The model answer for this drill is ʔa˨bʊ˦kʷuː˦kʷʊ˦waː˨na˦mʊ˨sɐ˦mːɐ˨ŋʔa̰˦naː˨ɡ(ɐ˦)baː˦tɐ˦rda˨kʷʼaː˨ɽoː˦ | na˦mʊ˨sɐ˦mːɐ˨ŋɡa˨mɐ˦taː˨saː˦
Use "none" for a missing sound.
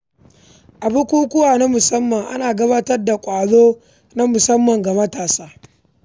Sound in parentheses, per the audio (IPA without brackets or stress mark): ɐ˦